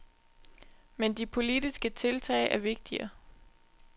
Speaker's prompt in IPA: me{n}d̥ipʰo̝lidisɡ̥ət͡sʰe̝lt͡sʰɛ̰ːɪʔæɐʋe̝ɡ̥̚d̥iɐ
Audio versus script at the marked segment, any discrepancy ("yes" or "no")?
no